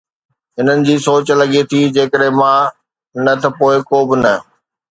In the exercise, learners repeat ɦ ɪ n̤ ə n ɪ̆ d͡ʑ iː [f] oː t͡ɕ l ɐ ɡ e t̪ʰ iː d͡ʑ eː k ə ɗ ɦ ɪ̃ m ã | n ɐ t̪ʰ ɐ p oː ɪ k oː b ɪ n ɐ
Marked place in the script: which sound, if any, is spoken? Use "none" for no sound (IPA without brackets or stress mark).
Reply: s